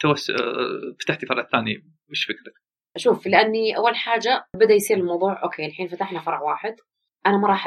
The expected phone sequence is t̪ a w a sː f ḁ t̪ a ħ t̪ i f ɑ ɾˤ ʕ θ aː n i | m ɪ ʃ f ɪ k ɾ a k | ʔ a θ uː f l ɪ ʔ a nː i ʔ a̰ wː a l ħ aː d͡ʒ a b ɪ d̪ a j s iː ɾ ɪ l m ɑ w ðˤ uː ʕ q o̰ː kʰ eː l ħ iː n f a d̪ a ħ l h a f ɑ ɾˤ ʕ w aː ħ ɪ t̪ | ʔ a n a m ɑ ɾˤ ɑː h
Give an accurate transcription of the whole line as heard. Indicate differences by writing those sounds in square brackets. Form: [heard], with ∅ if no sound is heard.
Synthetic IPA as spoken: t̪ a w a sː f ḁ t̪ a ħ t̪ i f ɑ ɾˤ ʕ θ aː n i | m ɪ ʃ f ɪ k ɾ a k | ʔ a [ʃ] uː f l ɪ ʔ a nː i ʔ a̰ wː a l ħ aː d͡ʒ a b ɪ d̪ a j s iː ɾ ɪ l m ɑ w ðˤ uː ʕ [ʔ] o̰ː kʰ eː l ħ iː n f a [t̪] a ħ l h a f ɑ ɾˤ ʕ w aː ħ ɪ [d̪] | ʔ a n a m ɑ ɾˤ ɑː [ħ]